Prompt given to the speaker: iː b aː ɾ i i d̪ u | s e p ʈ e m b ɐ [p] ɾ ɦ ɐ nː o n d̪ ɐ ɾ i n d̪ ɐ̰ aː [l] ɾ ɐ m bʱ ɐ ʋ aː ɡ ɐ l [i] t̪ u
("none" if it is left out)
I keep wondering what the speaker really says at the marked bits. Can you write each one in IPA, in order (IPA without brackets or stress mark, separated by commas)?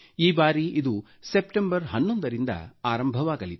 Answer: none, none, i